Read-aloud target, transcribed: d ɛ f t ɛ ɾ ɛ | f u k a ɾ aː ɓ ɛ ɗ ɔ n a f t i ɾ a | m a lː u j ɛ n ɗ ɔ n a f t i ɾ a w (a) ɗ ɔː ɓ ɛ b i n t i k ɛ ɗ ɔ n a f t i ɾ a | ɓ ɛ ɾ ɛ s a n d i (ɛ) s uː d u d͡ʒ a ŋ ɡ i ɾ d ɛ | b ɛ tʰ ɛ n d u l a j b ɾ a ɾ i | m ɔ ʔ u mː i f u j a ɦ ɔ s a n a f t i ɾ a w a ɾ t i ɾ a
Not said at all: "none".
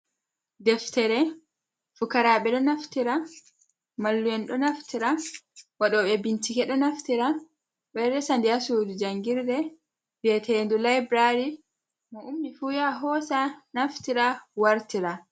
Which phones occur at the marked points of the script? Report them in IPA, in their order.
a, a

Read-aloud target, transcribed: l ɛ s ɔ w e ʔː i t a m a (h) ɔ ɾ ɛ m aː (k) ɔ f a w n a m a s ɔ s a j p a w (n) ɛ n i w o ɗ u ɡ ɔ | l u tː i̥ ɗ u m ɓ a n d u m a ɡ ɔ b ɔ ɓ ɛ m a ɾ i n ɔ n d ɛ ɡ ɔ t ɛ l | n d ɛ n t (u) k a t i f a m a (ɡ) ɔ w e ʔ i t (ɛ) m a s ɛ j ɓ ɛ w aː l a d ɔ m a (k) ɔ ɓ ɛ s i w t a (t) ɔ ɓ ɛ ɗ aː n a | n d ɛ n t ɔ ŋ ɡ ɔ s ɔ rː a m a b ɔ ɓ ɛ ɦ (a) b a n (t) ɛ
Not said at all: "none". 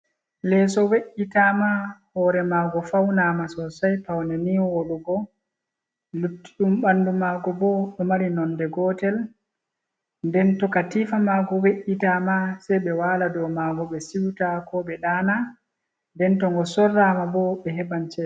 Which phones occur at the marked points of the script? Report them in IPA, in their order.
h, ɡ, n, ɔ, ɡ, a, ɡ, k, ɛ, t͡ʃ

